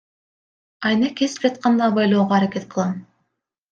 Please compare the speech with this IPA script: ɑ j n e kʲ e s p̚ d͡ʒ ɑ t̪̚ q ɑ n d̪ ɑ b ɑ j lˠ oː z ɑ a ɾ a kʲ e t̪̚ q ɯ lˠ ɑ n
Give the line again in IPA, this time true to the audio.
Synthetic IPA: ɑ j n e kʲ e s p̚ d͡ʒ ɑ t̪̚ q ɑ n d̪ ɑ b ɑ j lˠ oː ʁ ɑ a ɾ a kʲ e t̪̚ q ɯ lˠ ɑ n